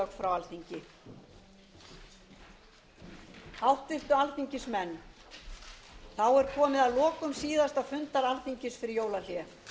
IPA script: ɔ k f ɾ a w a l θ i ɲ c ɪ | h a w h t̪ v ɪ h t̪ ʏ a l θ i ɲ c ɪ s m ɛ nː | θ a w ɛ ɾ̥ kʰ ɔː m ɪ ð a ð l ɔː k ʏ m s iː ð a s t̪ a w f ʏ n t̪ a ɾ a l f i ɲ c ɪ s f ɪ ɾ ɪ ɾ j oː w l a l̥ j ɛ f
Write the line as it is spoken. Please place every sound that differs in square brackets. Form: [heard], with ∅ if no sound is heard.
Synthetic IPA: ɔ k f ɾ a w a l θ i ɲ c ɪ | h a w h t̪ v ɪ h t̪ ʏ a l θ i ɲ c ɪ s m ɛ nː | θ a w ɛ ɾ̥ kʰ ɔː m ɪ ð a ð l ɔː k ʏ m s iː ð a s t̪ a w f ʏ n t̪ a ɾ a l [θ] i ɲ c ɪ s f ɪ ɾ ɪ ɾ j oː w l a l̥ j ɛ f

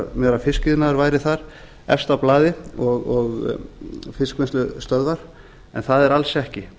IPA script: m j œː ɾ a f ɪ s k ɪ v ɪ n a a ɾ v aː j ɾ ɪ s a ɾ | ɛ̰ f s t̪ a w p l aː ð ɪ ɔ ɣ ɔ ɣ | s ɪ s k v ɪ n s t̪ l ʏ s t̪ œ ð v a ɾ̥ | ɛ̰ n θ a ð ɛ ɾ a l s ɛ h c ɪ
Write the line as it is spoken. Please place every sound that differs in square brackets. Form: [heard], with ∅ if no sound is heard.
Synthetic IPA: m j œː ɾ a f ɪ s k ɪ [ð] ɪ n a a ɾ v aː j ɾ ɪ [θ] a ɾ | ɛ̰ f s t̪ a w p l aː ð ɪ ɔ ɣ ɔ ɣ | [f] ɪ s k v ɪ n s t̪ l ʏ s t̪ œ ð v a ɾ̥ | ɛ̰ n θ a ð ɛ ɾ a l s ɛ h c ɪ

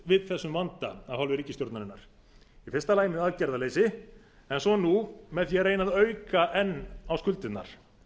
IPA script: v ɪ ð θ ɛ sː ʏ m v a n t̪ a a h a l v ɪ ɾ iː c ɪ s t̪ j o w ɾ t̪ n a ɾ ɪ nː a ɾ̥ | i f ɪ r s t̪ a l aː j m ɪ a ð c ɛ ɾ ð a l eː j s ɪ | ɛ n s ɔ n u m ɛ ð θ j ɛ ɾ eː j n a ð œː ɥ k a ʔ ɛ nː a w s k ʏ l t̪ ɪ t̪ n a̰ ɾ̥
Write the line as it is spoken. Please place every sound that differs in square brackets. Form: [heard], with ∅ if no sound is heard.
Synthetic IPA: v ɪ ð θ ɛ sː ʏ m v a n t̪ a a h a l v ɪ ɾ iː c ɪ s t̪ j o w ɾ t̪ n a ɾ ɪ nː a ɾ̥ | i f ɪ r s t̪ a l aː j m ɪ a ð c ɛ ɾ ð a l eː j s ɪ | ɛ n s ɔ n u m ɛ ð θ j ɛ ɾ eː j n a ð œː ɥ k a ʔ ɛ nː a w s k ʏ l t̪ ɪ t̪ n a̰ ɾ̥

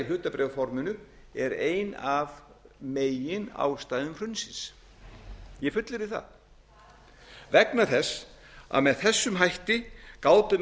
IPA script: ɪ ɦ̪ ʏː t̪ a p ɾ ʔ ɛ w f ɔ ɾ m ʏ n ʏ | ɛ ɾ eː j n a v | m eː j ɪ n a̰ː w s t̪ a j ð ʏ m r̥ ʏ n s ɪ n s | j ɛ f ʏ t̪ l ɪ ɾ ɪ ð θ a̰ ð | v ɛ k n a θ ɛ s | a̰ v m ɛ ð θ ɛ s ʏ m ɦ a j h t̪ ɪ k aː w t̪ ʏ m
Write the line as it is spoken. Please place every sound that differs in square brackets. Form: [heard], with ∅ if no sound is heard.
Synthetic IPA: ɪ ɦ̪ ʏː t̪ a p ɾ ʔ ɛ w f ɔ ɾ m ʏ n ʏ | ɛ ɾ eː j n a v | m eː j ɪ n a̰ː w s t̪ a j ð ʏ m r̥ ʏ n s ɪ n s | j ɛ f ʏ t̪ l ɪ ɾ ɪ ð θ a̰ ð | v ɛ k n a θ ɛ s | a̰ [ð] m ɛ ð θ ɛ [sː] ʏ m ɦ a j h t̪ ɪ k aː w t̪ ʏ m

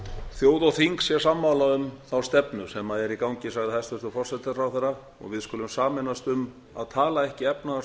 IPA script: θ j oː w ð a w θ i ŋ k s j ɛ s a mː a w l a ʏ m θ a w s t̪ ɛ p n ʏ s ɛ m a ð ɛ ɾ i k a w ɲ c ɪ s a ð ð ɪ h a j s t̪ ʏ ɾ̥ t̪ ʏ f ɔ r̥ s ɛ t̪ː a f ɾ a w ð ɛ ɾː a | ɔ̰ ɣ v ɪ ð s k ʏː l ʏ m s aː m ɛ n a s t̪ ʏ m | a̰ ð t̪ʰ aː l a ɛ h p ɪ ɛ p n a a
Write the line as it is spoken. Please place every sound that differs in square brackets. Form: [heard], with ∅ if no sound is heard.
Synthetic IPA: θ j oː w ð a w θ i ŋ k s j ɛ s a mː a w l a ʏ m θ a w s t̪ ɛ p n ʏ s ɛ m a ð ɛ ɾ i k a w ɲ c ɪ s a [ɣ] ð ɪ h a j s t̪ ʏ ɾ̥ t̪ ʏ f ɔ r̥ s ɛ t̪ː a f ɾ a w [θ] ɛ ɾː a | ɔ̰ ɣ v ɪ ð s k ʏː l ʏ m s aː m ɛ n a s t̪ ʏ m | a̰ ð t̪ʰ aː l a ɛ h [c] ɪ ɛ p n a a

